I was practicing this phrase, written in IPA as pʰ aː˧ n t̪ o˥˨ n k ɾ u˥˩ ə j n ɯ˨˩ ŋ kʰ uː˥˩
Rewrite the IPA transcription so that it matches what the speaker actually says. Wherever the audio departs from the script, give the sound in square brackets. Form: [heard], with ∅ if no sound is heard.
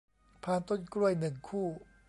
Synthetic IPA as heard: pʰ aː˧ n t̪ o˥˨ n k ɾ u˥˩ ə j n ɯ˨˩ ŋ kʰ uː˥˩